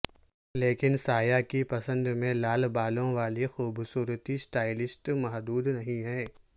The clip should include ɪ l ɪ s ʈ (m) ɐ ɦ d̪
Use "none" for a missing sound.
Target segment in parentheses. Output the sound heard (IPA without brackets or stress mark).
m